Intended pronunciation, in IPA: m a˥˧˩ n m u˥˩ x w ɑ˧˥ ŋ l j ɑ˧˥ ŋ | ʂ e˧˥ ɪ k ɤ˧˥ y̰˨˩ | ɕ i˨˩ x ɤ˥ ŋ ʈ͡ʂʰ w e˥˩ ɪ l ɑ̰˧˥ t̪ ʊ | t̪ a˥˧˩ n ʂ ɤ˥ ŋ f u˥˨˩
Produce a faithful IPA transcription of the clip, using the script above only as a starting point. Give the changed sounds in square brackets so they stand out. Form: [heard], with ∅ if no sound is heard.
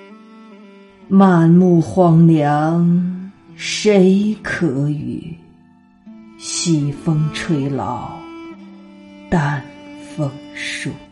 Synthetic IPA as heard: m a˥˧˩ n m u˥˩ x w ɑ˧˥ ŋ l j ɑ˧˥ ŋ | ʂ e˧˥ ɪ [kʰ] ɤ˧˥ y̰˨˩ | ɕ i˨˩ [f] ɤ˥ ŋ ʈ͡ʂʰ w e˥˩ ɪ l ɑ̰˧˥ [∅] ʊ | t̪ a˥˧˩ n [f] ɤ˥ ŋ [ʂ] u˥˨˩